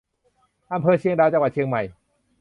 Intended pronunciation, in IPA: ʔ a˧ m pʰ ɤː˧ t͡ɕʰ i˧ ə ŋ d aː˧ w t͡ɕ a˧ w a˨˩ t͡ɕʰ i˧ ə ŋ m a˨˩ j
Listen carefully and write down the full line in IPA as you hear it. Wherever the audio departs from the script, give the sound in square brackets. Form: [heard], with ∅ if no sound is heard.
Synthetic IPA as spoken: ʔ a˧ m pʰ ɤː˧ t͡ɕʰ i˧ ə ŋ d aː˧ w t͡ɕ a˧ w a˨˩ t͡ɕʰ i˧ ə ŋ m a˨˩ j